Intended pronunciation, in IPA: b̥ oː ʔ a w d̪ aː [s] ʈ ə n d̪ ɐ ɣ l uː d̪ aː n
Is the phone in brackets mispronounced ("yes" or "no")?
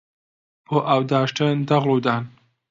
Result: yes